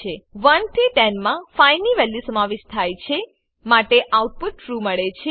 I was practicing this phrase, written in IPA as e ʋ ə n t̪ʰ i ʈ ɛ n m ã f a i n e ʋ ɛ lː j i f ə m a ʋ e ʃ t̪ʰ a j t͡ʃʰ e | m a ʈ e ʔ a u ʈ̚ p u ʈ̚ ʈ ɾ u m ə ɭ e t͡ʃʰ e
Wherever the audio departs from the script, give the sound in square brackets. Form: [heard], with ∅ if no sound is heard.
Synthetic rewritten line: e ʋ ə n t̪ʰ i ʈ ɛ n m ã f a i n [i] ʋ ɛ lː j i [s] ə m a ʋ e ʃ t̪ʰ a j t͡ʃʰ e | m a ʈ e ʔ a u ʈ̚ p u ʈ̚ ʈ ɾ u m ə ɭ e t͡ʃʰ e